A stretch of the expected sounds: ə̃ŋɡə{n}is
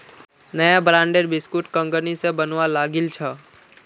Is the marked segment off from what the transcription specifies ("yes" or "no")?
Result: no